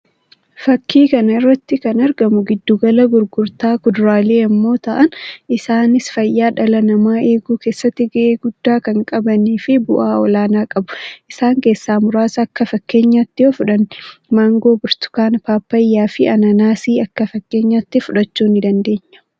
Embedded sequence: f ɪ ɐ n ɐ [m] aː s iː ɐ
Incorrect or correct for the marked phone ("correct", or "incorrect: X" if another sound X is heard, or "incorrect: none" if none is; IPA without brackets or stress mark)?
incorrect: n